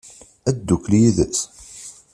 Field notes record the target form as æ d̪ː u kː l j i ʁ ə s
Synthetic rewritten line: æ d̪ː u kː l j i ð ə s